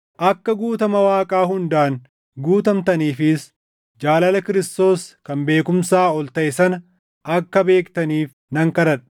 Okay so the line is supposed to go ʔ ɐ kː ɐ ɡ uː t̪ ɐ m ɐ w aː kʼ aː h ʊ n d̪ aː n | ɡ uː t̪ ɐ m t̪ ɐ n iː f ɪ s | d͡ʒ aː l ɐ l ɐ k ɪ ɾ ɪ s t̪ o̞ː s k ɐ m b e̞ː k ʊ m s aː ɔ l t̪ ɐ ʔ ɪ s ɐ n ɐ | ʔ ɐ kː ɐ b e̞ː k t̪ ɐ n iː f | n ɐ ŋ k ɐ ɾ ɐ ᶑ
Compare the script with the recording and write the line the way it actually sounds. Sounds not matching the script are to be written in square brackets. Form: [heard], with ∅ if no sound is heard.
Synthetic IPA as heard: ʔ ɐ kː ɐ ɡ uː t̪ ɐ m ɐ w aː kʼ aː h ʊ n d̪ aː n | ɡ uː t̪ ɐ m t̪ ɐ n iː f ɪ s | d͡ʒ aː l ɐ l ɐ k ɪ ɾ ɪ s t̪ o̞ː s k ɐ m b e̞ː k ʊ m s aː ɔ l t̪ ɐ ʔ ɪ s ɐ n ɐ | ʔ ɐ kː ɐ b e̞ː k t̪ ɐ n iː f | n ɐ ŋ k ɐ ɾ ɐ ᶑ